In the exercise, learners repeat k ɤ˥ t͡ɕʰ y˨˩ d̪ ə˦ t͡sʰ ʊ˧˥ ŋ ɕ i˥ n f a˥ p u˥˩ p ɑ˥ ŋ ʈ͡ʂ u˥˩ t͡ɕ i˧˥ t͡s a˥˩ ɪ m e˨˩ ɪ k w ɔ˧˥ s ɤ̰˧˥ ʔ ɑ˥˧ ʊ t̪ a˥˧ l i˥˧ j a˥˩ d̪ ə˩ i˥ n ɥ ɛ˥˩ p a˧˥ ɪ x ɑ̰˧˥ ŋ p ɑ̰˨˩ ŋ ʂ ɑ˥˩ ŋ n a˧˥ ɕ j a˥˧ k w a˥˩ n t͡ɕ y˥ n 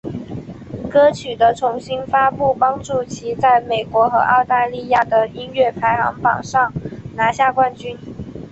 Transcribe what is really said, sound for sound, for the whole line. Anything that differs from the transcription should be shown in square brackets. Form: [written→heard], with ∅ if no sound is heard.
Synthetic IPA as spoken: k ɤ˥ t͡ɕʰ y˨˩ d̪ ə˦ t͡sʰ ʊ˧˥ ŋ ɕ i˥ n f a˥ p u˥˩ p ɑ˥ ŋ ʈ͡ʂ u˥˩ [t͡ɕ→t͡ɕʰ] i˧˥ t͡s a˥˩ ɪ m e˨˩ ɪ k w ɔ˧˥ [s→x] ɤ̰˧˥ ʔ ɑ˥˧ ʊ t̪ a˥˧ l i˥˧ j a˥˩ d̪ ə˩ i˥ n ɥ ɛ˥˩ [p→pʰ] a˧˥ ɪ x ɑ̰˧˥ ŋ p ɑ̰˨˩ ŋ ʂ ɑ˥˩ ŋ n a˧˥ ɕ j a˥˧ k w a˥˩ n t͡ɕ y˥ n